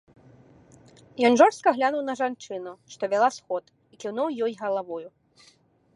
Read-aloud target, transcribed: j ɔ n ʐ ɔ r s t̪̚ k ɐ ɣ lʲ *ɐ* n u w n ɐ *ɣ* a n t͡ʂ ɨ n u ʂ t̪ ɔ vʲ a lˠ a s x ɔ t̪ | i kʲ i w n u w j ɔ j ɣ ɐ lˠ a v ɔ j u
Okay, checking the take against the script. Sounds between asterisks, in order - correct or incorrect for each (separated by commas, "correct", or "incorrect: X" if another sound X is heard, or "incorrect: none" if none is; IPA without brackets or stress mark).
incorrect: a, incorrect: ʐ